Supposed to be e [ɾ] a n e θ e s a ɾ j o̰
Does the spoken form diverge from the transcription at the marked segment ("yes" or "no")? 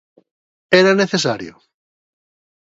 no